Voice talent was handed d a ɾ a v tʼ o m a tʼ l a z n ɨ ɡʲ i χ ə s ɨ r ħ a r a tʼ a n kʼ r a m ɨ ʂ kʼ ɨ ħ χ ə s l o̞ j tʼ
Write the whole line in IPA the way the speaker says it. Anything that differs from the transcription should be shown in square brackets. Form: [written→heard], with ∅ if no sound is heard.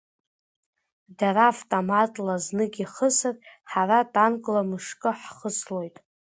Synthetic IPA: d a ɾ a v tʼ o m a tʼ l a z n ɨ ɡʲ i χ ə s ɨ r ħ a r a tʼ a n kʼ [r→l] a m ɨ ʂ kʼ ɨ ħ χ ə s l o̞ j tʼ